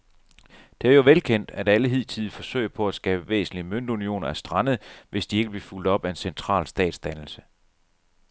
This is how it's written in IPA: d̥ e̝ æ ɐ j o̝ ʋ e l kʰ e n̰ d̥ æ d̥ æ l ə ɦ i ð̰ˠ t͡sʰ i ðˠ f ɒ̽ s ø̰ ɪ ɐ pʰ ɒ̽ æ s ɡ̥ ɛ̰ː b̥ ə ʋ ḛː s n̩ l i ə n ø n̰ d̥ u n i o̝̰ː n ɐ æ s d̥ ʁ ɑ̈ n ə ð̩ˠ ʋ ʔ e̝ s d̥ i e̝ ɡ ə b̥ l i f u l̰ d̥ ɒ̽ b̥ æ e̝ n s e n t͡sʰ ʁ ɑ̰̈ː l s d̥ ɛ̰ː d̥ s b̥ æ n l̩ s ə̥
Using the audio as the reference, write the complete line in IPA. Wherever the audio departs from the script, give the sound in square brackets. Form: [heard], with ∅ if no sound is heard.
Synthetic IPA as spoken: d̥ e̝ æ ɐ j o̝ ʋ e l kʰ e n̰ d̥ æ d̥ æ l ə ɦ i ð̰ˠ t͡sʰ i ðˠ f ɒ̽ s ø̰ ɪ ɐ pʰ ɒ̽ æ s ɡ̥ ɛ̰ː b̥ ə ʋ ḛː s n̩ l i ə [m] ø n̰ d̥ u n i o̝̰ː n ɐ æ s d̥ ʁ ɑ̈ n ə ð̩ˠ ʋ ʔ e̝ s d̥ i e̝ ɡ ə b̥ l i f u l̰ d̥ ɒ̽ b̥ æ e̝ n s e n t͡sʰ ʁ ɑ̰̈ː l s d̥ ɛ̰ː d̥ s [d̥] æ n l̩ s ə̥